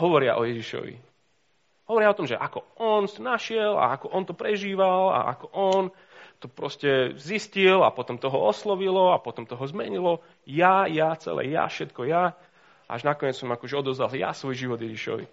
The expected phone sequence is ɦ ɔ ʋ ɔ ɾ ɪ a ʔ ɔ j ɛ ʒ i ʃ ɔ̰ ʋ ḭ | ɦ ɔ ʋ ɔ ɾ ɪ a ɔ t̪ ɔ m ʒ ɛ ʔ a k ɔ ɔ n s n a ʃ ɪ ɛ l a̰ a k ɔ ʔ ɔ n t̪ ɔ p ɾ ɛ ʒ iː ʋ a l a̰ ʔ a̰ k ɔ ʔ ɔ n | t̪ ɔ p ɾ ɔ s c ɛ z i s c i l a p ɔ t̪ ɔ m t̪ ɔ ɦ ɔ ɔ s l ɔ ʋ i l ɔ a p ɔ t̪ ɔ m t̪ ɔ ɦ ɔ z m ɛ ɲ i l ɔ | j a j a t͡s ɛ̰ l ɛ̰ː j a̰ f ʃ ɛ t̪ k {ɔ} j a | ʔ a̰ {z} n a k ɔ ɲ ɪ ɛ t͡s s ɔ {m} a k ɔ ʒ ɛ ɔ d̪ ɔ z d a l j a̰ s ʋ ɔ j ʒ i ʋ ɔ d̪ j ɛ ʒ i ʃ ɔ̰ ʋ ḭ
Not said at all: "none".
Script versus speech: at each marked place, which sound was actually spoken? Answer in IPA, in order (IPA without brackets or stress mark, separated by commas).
ɔ, ʒ, m